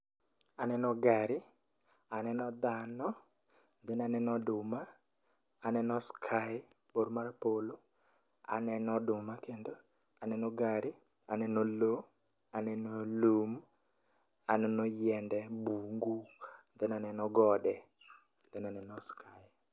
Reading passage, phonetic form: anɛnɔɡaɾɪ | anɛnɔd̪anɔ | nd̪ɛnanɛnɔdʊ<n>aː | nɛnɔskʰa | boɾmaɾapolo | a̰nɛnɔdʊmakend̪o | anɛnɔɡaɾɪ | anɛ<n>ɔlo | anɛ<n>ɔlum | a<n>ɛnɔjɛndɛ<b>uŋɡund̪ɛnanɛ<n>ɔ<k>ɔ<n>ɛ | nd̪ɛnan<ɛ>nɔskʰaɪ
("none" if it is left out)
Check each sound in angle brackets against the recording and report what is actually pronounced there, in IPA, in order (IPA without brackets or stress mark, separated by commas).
m, n, n, n, b, n, ɡ, d, ɛ